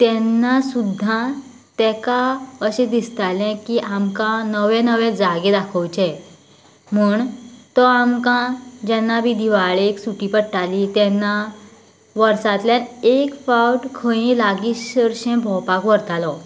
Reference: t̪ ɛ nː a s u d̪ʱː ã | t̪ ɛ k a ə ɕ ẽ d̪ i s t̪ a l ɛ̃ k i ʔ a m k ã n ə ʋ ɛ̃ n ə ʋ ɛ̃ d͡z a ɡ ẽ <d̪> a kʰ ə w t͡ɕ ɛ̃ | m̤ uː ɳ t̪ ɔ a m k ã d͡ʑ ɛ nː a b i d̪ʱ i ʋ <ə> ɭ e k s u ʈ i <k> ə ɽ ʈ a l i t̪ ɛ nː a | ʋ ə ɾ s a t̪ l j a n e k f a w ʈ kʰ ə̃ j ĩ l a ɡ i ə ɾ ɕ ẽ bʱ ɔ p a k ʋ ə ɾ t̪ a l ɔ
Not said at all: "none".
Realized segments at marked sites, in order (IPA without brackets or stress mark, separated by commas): d̪, a, p